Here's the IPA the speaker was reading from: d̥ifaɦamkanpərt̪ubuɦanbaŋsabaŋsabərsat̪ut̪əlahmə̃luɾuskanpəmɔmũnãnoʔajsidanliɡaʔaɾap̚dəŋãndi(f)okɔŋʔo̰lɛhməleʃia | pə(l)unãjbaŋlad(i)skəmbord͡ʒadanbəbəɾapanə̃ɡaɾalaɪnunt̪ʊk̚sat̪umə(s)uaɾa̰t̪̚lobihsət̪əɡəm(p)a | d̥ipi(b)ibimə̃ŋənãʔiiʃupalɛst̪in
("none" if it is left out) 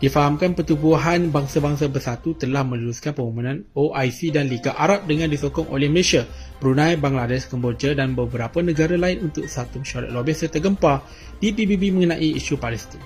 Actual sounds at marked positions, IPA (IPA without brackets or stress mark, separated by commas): s, ɾ, ɛ, ʃ, p, b